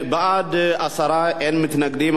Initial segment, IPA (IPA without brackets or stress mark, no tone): b